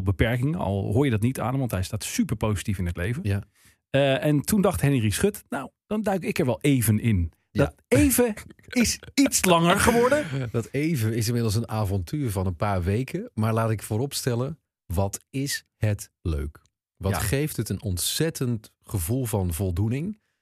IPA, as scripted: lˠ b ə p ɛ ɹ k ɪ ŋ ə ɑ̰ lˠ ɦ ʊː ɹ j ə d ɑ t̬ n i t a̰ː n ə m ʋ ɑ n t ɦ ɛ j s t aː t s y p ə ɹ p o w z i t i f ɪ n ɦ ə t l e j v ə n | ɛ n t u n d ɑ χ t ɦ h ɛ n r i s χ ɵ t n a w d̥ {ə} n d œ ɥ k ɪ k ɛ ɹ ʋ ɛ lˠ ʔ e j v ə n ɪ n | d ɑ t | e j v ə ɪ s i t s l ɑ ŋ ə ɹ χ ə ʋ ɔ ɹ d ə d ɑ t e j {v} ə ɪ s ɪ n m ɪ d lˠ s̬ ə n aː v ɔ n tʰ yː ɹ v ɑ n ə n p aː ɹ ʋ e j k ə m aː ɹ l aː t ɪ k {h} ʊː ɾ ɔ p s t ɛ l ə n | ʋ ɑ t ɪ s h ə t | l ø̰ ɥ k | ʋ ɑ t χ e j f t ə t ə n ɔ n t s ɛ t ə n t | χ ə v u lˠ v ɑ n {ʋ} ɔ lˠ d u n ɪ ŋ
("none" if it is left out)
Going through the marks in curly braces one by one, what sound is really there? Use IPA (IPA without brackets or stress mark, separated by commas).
ɑ, v, f, v